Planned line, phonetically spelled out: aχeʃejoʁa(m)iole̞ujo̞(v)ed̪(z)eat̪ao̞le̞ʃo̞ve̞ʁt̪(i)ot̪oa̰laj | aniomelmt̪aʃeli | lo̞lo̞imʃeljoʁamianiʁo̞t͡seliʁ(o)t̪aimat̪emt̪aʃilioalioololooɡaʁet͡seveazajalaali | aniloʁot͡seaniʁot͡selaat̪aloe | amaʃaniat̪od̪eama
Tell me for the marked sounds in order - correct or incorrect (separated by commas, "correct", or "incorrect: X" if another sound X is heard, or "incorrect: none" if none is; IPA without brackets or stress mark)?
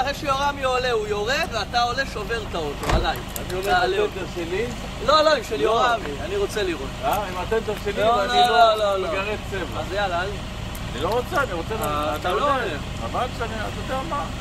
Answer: correct, incorrect: ʁ, incorrect: v, incorrect: a, correct